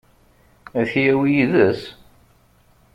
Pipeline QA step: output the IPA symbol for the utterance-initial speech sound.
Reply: æ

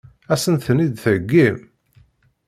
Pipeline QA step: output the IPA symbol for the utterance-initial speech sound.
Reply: æ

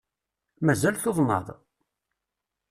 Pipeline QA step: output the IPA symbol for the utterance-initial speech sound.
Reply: m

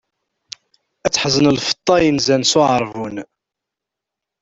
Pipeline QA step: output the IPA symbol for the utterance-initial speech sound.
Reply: æ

